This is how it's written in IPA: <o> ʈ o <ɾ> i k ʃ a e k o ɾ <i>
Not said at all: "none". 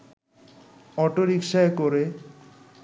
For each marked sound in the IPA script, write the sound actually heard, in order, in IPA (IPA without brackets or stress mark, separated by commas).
ɔ, ɾ, e